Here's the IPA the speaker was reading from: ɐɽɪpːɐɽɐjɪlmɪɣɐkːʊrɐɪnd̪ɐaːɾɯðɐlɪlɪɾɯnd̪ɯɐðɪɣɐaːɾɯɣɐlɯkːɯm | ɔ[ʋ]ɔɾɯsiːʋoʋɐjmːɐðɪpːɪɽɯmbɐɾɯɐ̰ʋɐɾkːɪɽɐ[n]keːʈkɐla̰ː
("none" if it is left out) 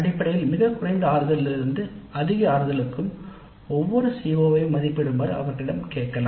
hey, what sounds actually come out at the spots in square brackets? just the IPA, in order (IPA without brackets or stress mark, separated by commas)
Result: ʋː, m